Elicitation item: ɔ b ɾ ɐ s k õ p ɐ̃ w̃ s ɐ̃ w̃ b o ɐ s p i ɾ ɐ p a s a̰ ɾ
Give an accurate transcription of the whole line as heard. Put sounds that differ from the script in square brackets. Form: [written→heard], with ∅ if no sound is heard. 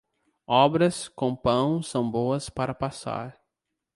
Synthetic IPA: ɔ b ɾ ɐ s k õ p ɐ̃ w̃ s ɐ̃ w̃ b o ɐ s p [i→a] ɾ ɐ p a s a̰ ɾ